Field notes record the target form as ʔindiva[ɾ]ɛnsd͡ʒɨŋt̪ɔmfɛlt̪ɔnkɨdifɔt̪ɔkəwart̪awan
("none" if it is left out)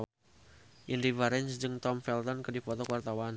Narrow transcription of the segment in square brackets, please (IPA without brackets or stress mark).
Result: ɾ